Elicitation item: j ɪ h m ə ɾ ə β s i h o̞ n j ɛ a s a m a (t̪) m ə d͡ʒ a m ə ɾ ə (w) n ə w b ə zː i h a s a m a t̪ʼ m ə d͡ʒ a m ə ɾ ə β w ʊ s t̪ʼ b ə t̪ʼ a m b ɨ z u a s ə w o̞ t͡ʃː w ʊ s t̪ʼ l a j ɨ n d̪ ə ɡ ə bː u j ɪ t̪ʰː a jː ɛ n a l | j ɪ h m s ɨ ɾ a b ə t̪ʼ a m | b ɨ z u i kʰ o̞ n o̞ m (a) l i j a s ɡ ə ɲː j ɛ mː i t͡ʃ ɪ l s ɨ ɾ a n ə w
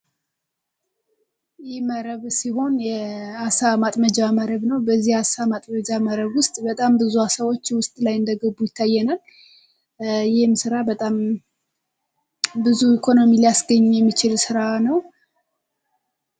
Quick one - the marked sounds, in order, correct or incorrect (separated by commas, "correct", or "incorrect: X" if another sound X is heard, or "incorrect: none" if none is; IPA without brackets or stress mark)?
incorrect: t̪ʼ, incorrect: β, incorrect: i